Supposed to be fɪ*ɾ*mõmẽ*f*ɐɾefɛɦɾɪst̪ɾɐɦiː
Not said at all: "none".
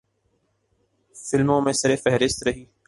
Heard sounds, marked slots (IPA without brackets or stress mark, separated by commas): l, s